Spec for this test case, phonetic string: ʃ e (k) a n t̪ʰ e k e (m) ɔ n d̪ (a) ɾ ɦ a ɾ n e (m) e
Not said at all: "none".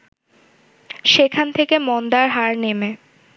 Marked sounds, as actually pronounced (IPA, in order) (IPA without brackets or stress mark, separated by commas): kʰ, m, a, m